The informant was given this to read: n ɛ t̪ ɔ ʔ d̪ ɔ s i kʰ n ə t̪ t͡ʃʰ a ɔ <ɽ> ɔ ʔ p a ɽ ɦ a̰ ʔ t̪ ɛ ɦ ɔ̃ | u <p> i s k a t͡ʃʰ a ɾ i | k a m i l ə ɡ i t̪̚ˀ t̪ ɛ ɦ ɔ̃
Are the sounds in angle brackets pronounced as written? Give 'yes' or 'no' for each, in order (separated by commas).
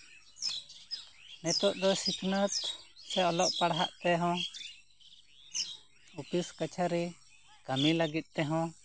no, yes